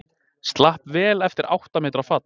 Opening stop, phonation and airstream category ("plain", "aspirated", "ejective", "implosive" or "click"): plain